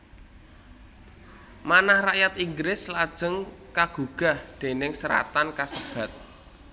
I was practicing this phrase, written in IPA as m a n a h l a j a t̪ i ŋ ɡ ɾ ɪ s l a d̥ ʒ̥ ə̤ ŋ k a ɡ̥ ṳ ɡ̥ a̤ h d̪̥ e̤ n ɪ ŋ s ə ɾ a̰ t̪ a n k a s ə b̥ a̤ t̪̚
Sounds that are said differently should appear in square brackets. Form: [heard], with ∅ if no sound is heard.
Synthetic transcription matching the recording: m a n a h [r] a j a t̪ i ŋ ɡ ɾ ɪ s l a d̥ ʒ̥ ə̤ ŋ k a ɡ̥ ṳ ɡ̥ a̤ h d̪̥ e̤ n ɪ ŋ s ə ɾ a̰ t̪ a n k a s ə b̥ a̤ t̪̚